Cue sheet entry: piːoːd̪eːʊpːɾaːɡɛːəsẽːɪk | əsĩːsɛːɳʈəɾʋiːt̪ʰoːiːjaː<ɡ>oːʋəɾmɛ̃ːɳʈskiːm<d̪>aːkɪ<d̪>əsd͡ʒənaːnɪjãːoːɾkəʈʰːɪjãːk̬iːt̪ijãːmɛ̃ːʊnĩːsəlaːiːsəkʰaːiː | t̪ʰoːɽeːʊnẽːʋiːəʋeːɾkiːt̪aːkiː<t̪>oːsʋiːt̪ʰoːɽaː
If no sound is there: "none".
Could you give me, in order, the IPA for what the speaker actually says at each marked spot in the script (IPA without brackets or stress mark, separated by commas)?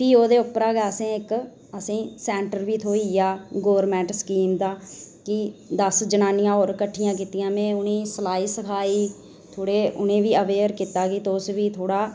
ɡ, d̪, d̪, t̪